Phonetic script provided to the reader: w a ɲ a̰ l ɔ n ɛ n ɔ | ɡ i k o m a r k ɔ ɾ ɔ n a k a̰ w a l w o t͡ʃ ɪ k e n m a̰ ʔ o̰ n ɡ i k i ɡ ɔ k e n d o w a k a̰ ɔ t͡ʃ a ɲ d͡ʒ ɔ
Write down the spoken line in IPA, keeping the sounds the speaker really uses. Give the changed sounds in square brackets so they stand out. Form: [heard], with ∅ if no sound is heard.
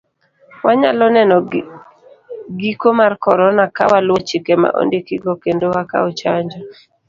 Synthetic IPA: w a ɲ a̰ l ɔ n ɛ n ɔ | ɡ i k o m a r k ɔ ɾ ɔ n a k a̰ w a l w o t͡ʃ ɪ k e [∅] m a̰ ʔ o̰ n [d] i k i ɡ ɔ k e n d o w a k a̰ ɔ t͡ʃ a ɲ d͡ʒ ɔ